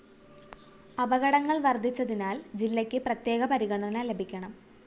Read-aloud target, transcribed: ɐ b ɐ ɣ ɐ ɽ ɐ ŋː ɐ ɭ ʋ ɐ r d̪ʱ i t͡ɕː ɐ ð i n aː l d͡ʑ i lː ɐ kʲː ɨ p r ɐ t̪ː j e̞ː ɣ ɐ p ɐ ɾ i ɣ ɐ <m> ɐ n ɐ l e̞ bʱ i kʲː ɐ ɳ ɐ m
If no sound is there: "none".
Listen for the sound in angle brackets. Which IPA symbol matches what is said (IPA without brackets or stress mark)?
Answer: ɳ